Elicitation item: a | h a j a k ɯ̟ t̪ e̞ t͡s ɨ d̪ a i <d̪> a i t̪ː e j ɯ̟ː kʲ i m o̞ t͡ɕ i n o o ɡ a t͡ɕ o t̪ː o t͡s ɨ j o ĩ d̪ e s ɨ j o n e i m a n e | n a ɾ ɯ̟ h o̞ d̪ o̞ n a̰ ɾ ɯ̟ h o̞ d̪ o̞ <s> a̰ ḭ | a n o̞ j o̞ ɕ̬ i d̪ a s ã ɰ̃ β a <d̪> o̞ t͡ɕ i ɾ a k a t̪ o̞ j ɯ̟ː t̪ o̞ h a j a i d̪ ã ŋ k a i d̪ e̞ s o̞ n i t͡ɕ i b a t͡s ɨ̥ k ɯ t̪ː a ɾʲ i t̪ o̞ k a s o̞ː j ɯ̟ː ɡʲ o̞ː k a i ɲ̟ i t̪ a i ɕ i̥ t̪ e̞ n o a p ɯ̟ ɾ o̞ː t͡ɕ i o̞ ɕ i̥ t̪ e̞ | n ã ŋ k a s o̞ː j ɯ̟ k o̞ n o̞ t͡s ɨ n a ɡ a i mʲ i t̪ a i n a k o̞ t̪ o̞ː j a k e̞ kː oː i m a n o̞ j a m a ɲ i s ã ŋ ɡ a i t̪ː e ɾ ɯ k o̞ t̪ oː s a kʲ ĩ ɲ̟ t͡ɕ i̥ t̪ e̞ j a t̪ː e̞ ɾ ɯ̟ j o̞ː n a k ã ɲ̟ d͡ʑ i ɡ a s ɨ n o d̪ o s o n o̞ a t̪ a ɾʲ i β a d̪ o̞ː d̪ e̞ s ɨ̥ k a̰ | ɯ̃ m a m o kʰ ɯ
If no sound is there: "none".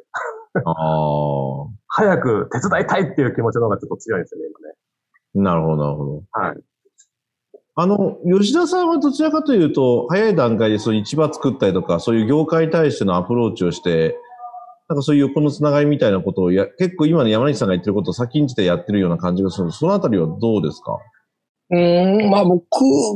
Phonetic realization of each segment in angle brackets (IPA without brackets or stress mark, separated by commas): t̪, h, d̪